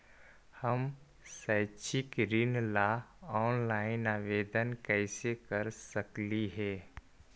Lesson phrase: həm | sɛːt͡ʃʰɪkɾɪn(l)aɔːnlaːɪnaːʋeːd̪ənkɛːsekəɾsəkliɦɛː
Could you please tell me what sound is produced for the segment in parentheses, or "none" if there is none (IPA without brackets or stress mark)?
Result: l